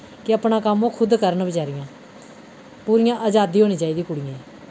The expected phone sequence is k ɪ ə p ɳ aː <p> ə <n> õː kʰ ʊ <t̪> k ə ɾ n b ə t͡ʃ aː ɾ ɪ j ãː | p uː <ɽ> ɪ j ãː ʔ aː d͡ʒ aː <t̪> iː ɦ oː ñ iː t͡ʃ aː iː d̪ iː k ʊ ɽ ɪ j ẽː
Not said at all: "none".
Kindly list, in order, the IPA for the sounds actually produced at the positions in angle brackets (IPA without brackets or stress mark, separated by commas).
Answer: k, m, d̪, ɾ, d̪